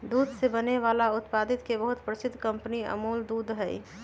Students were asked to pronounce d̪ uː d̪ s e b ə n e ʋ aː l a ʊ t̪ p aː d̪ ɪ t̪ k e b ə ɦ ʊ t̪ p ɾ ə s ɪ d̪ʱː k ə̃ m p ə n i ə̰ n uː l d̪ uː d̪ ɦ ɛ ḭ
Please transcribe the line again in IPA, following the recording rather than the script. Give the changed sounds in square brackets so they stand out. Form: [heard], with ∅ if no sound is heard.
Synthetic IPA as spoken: d̪ uː d̪ s e b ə n e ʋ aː l a ʊ t̪ p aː d̪ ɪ t̪ k e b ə ɦ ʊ t̪ p ɾ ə s ɪ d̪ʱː k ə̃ m p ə n i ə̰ [m] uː l d̪ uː d̪ ɦ ɛ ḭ